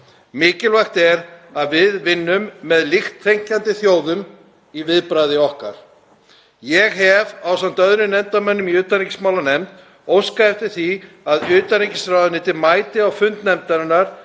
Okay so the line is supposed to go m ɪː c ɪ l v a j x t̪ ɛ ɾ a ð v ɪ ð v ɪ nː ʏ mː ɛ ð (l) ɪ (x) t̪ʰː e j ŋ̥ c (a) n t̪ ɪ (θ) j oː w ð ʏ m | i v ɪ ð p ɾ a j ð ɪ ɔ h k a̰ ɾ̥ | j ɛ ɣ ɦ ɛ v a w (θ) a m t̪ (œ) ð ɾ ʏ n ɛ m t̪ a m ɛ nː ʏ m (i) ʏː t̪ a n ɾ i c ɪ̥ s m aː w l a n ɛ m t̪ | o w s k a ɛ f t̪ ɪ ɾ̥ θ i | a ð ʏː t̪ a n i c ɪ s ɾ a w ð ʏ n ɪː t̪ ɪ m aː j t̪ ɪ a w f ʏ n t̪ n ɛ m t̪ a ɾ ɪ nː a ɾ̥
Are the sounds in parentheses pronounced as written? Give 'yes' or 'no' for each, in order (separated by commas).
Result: yes, yes, yes, yes, no, yes, yes